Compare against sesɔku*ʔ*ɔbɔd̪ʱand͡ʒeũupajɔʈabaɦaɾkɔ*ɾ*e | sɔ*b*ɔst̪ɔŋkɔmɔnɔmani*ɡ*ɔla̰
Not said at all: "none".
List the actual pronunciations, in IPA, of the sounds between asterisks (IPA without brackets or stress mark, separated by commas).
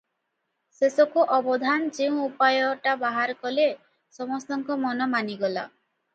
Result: ʔ, l, m, ɡ